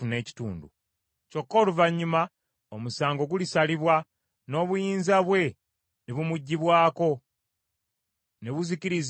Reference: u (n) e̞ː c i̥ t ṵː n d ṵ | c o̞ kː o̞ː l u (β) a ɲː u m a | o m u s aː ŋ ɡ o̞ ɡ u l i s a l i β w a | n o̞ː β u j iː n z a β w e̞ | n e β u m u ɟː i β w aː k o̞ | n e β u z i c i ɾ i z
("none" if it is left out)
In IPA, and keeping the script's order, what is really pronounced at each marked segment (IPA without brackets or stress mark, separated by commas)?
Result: n, v